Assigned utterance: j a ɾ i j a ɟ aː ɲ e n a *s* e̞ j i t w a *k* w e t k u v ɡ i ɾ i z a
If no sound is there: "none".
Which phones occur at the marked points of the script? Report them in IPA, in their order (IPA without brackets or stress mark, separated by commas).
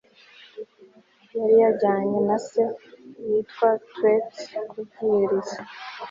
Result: s, t